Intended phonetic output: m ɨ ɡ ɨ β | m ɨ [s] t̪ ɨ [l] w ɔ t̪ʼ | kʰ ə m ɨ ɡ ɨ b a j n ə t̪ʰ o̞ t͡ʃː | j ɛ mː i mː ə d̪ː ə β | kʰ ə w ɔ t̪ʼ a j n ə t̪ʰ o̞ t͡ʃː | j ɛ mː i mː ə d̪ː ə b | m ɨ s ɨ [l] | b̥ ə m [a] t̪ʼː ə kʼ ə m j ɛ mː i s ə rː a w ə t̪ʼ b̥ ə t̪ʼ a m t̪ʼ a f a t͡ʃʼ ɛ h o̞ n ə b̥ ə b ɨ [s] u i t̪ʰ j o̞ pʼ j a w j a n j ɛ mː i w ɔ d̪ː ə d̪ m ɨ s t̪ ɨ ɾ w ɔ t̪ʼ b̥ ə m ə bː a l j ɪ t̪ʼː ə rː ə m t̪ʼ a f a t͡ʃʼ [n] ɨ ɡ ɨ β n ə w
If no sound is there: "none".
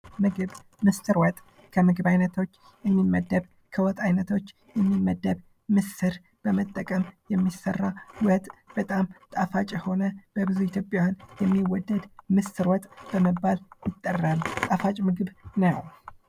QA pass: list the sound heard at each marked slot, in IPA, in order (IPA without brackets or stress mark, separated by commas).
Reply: s, ɾ, ɾ, ə, z, m